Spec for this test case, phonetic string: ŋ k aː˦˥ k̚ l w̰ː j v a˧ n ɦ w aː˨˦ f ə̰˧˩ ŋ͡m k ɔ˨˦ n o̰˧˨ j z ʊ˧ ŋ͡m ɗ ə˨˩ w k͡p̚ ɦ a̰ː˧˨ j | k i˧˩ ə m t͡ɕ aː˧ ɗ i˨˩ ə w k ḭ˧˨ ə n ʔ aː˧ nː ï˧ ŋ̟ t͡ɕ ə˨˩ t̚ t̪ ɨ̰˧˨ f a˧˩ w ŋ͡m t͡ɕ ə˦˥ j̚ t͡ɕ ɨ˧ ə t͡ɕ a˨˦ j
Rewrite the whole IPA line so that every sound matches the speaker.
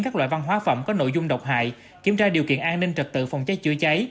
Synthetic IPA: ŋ k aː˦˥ k̚ l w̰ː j v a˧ n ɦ w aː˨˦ f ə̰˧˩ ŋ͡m k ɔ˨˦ n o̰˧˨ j z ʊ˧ ŋ͡m ɗ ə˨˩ w k͡p̚ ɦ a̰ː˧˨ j | k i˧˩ ə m t͡ɕ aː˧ ɗ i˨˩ ə w k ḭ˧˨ ə n ʔ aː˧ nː ï˧ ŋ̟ t͡ɕ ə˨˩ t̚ t̪ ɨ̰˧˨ f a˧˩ w ŋ͡m t͡ɕ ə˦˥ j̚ t͡ɕ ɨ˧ ə t͡ɕ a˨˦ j